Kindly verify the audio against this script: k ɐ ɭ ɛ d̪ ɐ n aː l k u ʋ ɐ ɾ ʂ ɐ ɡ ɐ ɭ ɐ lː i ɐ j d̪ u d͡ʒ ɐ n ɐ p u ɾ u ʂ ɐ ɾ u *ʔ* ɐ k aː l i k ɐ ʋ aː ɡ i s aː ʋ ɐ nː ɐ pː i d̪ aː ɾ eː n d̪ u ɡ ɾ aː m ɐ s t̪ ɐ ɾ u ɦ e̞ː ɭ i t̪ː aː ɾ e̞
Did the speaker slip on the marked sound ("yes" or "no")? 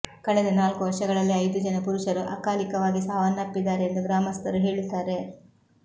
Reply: no